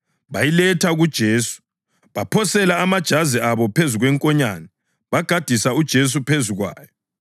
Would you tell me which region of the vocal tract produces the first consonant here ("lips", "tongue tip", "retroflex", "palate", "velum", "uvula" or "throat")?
lips